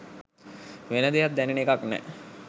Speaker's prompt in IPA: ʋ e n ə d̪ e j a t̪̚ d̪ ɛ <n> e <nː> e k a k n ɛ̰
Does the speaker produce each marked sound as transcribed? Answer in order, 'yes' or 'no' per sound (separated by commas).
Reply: yes, no